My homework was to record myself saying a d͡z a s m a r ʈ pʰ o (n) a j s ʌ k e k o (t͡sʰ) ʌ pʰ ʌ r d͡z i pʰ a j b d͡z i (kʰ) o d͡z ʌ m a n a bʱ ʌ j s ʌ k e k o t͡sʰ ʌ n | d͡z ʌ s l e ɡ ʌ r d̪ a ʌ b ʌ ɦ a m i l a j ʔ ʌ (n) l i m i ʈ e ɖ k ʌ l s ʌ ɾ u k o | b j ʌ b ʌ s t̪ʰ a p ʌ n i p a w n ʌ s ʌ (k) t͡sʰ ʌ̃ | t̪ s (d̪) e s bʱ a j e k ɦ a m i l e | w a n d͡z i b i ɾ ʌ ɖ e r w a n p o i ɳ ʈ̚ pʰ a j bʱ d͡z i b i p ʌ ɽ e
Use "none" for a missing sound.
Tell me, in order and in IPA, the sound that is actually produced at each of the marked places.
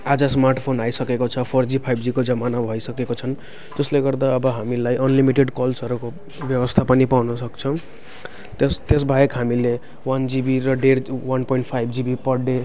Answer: n, t͡sʰ, k, n, k, t̪

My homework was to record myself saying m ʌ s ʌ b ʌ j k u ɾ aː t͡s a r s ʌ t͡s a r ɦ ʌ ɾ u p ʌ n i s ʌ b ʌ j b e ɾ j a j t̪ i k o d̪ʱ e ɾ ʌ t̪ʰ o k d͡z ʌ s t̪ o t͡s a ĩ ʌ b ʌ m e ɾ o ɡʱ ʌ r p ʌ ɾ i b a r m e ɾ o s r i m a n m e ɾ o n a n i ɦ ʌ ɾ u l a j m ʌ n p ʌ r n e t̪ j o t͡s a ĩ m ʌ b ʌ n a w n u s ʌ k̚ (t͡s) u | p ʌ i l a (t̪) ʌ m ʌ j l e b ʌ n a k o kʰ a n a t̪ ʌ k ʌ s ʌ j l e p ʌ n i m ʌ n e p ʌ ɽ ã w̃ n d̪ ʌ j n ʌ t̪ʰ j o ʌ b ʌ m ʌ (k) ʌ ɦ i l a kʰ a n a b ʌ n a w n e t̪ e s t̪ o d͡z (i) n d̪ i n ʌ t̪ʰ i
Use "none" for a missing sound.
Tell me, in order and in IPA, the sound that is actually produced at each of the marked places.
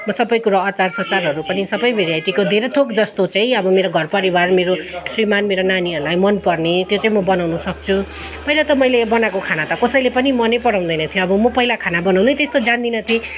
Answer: t͡sʰ, t̪, p, a

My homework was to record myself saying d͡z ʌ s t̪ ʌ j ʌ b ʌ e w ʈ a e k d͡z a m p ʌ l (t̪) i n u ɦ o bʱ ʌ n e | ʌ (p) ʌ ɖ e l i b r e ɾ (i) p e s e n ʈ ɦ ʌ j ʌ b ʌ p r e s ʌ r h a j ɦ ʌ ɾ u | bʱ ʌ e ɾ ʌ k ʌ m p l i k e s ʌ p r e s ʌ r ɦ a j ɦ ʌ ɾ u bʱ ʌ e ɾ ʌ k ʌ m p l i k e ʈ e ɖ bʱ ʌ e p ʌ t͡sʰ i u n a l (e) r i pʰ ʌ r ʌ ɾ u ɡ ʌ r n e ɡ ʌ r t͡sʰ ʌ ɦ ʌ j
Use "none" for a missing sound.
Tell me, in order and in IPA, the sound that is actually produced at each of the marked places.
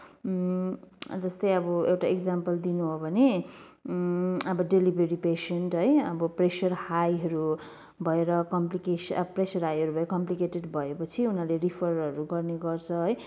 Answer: d̪, b, i, e

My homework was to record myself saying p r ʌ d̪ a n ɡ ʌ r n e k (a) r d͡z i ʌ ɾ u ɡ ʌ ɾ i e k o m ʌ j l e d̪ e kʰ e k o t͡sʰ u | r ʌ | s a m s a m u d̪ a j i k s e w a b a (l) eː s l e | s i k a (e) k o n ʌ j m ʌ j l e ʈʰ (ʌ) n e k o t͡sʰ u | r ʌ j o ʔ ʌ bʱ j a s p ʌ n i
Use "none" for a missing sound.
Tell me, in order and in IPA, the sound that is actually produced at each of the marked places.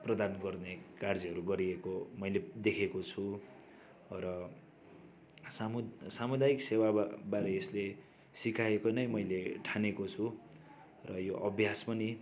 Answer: a, ɾ, e, a

